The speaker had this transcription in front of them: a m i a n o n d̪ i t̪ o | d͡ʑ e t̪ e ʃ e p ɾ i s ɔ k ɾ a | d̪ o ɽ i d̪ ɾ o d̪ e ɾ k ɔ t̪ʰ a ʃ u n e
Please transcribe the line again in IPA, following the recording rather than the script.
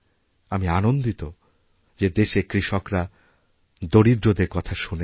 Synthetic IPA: a m i a n o n d̪ i t̪ o | d͡ʑ e d̪ e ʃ e k ɾ i ʃ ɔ k ɾ a | d̪ o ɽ i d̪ ɾ o d̪ e ɾ k ɔ t̪ʰ a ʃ u n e

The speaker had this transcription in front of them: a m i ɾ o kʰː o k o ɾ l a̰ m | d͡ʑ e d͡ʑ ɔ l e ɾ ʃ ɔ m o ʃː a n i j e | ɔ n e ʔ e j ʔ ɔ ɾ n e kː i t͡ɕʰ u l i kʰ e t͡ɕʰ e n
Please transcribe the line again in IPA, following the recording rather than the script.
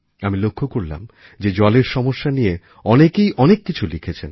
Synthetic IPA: a m i l o kʰː o k o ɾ l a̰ m | d͡ʑ e d͡ʑ ɔ l e ɾ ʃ ɔ m o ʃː a n i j e | ɔ n e k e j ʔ ɔ n e kː i t͡ɕʰ u l i kʰ e t͡ɕʰ e n

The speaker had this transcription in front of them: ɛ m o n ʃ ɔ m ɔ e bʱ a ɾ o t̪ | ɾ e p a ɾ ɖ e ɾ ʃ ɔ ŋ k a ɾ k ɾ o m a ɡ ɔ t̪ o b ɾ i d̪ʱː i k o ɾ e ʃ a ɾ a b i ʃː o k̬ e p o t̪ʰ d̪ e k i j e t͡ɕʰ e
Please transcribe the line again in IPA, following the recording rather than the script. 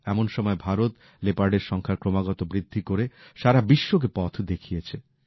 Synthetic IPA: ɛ m o n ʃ ɔ m ɔ e bʱ a ɾ o t̪ | l e p a ɾ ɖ e ɾ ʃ ɔ ŋ kʰ a ɾ k ɾ o m a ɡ ɔ t̪ o b ɾ i d̪ʱː i k o ɾ e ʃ a ɾ a b i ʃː o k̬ e p ɔ t̪ʰ d̪ e kʰ i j e t͡ɕʰ e

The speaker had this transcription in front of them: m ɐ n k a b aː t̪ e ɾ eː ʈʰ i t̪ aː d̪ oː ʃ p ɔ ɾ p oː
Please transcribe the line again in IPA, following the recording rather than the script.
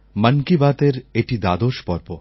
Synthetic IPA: m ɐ n k i b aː t̪ e ɾ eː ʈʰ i d̪ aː d̪ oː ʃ p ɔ ɾ p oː

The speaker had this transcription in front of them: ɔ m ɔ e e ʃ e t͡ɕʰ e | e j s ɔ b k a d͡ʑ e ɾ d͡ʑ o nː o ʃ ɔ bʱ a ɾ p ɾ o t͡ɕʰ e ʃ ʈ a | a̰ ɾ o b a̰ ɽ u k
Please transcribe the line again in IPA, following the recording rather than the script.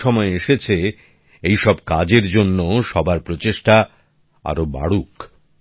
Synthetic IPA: ɔ m ɔ e e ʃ e t͡ɕʰ e | e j ʃ ɔ b k a d͡ʑ e ɾ d͡ʑ o nː o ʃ ɔ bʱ a ɾ p ɾ o t͡ɕ e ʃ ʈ a | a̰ ɾ o b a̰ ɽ u k

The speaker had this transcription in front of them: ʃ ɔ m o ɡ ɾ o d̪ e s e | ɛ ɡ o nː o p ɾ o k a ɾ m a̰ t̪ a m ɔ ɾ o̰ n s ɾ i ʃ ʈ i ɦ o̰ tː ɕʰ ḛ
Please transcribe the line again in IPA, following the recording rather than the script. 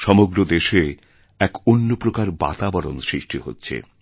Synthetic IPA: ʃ ɔ m o ɡ ɾ o d̪ e ʃ e | ɛ k o nː o p ɾ o k a ɾ b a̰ t̪ a b ɔ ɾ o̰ n s ɾ i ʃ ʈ i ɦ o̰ tː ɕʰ ḛ

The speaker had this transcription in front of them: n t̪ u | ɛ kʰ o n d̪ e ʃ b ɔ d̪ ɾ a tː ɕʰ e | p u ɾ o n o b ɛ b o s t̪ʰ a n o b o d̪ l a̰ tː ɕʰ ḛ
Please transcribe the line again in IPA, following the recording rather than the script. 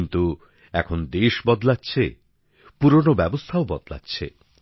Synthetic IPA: n t̪ u | ɛ kʰ o n d̪ e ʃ b ɔ d̪ l a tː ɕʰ e | p u ɾ o n o b ɛ b o s t̪ʰ a o b ɔ d̪ l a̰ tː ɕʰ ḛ

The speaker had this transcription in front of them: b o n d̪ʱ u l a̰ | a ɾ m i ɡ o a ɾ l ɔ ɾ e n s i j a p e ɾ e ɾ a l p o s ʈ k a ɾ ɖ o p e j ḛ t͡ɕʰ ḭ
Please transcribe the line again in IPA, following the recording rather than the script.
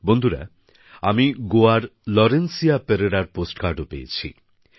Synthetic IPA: b o n d̪ʱ u ɾ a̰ | a m i ɡ o a ɾ l ɔ ɾ e n s i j a p e ɾ e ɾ a ɾ p o s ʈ k a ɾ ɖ o p e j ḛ t͡ɕʰ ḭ

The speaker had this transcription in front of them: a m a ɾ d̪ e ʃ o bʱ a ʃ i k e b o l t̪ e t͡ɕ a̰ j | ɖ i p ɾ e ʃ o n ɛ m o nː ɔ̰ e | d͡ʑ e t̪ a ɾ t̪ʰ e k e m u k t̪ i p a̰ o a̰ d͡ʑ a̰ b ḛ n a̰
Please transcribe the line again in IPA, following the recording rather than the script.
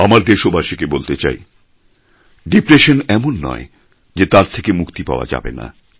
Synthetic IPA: a m a ɾ d̪ e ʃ o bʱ a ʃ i k e b o l t̪ e t͡ɕ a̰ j | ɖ i p ɾ e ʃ o n ɛ m o nː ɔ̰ e | d͡ʑ e t̪ a ɾ t̪ʰ e k e m u k t̪ i p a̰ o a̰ d͡ʑ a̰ b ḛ n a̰

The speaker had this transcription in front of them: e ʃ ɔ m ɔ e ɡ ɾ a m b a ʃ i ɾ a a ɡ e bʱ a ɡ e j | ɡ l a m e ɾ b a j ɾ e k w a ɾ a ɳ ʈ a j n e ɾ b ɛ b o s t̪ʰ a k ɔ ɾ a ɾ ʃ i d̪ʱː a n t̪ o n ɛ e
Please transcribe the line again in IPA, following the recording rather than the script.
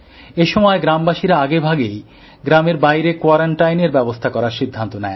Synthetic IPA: e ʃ ɔ m ɔ e ɡ ɾ a m b a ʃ i ɾ a a ɡ e bʱ a ɡ e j | ɡ ɾ a m e ɾ b a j ɾ e k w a ɾ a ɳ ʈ a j n e ɾ b ɛ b o s t̪ʰ a k ɔ ɾ a ɾ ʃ i d̪ʱː a n t̪ o n ɛ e

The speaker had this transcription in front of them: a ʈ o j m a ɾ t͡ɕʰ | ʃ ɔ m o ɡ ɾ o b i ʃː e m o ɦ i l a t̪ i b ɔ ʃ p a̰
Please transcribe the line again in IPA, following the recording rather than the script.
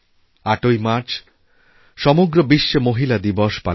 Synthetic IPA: a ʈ o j m a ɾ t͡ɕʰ | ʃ ɔ m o ɡ ɾ o b i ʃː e m o ɦ i l a d̪ i b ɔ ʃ p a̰

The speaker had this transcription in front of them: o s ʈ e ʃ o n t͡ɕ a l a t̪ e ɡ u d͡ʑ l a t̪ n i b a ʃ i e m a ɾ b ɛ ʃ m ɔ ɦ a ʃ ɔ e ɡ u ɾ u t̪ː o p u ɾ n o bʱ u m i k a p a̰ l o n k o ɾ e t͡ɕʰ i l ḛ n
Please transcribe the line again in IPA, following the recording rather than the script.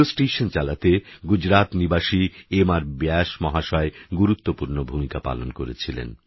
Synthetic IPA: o s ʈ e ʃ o n t͡ɕ a l a t̪ e ɡ u d͡ʑ ɾ a t̪ n i b a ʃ i e m a ɾ b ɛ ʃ m ɔ ɦ a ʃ ɔ e ɡ u ɾ u t̪ː o p u ɾ n o bʱ u m i k a p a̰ l o n k o ɾ e t͡ɕʰ i l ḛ n

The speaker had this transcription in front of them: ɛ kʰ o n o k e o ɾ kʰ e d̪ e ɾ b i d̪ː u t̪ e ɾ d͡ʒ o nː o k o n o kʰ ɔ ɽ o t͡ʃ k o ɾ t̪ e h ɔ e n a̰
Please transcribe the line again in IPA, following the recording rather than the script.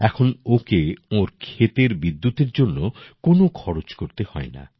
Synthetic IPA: ɛ kʰ o n o k e o ɾ kʰ e t̪ e ɾ b i d̪ː u t̪ e ɾ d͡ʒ o nː o k o n o kʰ ɔ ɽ o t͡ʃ k o ɾ t̪ e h ɔ e n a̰

